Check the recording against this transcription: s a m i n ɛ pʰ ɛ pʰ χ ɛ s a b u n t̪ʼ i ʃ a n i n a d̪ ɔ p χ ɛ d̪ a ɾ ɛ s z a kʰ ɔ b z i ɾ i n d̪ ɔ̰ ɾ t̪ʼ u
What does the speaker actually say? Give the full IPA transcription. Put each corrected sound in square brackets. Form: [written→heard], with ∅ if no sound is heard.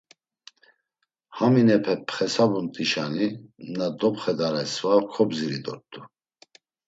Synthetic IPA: [s→h] a m i n ɛ pʰ ɛ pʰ χ ɛ s a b u n t̪ʼ i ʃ a n i n a d̪ ɔ p χ ɛ d̪ a ɾ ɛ s [z→v] a kʰ ɔ b z i ɾ i [n→∅] d̪ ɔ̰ ɾ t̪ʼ u